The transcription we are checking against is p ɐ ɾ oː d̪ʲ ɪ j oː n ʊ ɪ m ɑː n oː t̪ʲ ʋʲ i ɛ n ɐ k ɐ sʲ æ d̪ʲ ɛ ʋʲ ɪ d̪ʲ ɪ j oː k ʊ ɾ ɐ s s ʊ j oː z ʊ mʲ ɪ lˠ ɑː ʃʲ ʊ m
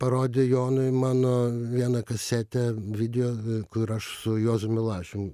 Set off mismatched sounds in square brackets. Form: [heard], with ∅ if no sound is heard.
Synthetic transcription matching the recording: p ɐ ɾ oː d̪ʲ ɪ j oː n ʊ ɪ m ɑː n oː [∅] ʋʲ i ɛ n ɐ k ɐ sʲ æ [t̪ʲ] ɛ ʋʲ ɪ d̪ʲ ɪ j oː k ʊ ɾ ɐ [ʃ] s ʊ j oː z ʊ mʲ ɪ lˠ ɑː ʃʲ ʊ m